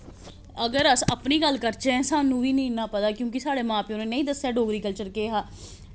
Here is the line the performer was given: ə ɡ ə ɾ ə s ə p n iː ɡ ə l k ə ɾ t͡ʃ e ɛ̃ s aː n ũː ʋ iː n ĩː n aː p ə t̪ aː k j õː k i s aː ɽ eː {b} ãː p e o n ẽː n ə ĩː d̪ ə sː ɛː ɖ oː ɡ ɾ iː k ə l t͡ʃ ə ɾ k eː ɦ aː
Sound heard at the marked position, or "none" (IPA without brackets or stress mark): m